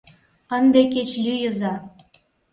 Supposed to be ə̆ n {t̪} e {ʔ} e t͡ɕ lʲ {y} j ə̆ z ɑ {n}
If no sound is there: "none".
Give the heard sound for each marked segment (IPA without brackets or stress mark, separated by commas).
d̪, k, y, none